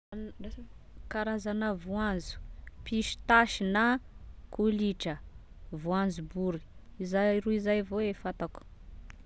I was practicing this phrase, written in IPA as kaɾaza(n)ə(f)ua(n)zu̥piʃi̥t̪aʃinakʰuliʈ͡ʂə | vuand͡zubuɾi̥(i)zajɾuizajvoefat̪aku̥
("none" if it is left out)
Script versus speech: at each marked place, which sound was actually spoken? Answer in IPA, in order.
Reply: n, v, n, i

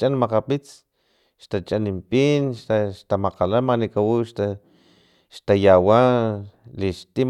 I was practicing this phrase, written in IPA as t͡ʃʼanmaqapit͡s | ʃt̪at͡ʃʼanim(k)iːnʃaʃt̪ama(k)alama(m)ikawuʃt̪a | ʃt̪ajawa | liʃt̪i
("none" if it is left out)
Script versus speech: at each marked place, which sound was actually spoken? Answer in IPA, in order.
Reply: p, q, n

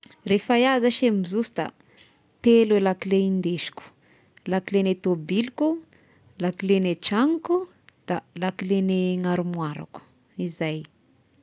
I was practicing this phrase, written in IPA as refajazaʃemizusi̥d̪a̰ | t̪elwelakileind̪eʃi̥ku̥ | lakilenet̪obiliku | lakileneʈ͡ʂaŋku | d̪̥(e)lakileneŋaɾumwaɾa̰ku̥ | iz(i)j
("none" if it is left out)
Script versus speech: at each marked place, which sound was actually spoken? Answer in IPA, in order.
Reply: a, a

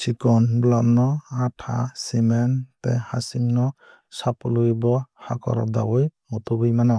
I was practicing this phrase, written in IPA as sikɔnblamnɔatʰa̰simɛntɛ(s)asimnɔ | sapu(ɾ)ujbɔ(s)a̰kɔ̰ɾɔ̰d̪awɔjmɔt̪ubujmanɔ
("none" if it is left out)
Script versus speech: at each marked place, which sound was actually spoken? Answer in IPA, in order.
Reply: h, l, h

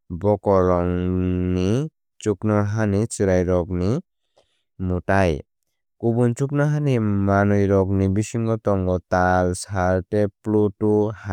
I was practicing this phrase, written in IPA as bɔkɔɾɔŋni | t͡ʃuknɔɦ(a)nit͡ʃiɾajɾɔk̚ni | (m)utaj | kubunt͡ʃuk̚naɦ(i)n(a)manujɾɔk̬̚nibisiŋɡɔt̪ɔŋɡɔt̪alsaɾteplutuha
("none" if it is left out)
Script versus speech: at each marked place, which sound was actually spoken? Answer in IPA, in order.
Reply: a, m, a, i

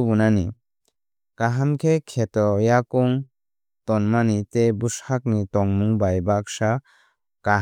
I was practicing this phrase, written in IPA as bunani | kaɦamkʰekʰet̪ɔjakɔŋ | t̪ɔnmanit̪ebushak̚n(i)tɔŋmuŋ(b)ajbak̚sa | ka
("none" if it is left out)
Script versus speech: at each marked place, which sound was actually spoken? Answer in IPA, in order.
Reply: i, b

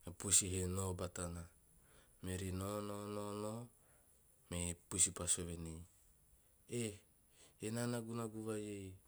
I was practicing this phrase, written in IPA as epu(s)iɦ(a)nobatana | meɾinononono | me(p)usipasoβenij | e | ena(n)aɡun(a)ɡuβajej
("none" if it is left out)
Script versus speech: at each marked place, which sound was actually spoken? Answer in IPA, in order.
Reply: s, e, p, n, a

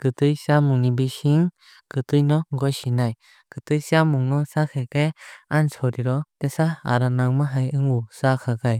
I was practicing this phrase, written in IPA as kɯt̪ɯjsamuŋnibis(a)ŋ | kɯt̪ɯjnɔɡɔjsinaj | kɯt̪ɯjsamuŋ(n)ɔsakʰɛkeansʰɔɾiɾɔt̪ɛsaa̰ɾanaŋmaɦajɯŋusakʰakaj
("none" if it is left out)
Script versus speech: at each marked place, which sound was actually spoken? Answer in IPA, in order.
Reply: i, n

